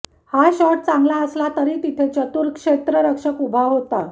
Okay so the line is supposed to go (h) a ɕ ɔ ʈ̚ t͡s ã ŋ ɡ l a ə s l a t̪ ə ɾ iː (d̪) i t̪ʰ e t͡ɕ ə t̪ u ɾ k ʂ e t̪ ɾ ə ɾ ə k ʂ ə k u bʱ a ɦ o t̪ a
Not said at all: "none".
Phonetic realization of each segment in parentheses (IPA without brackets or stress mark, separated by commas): h, t̪